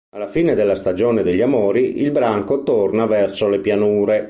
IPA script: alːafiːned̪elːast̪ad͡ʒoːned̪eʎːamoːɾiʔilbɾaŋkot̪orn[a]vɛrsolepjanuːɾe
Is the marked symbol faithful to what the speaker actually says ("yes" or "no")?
yes